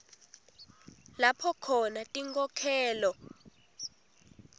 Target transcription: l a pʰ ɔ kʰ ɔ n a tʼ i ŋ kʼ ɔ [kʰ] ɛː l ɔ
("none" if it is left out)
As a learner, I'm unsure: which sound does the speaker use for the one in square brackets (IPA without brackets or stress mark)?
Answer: kʰ